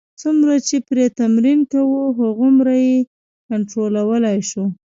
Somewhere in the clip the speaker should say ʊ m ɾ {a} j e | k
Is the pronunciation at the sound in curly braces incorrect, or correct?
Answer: correct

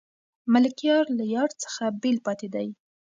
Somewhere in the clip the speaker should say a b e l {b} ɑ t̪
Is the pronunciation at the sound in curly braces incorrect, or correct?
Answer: incorrect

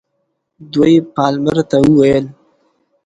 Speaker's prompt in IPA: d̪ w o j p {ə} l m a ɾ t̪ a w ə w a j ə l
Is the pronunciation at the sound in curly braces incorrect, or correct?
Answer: incorrect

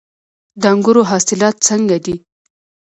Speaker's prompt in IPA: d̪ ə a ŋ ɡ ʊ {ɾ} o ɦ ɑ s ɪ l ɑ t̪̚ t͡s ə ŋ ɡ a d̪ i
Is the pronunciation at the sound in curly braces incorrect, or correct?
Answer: correct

